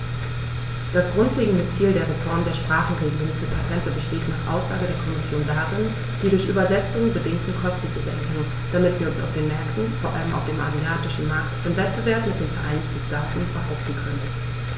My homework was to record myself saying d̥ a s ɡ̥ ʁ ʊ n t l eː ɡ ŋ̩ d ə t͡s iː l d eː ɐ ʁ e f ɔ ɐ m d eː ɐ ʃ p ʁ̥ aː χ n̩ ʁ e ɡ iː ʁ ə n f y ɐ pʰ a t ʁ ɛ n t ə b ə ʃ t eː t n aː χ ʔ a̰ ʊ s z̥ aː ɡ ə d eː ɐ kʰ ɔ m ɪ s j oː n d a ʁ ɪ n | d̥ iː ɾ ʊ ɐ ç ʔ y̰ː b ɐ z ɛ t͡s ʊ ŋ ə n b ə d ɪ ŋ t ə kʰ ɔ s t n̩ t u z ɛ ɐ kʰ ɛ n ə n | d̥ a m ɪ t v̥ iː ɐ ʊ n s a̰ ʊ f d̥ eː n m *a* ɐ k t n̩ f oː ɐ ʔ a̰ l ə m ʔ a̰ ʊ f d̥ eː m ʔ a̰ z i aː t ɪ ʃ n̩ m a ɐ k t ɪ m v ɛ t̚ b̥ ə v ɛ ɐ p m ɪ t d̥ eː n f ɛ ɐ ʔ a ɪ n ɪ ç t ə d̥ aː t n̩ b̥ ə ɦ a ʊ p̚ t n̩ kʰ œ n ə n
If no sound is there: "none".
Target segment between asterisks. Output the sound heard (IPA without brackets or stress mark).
ɛ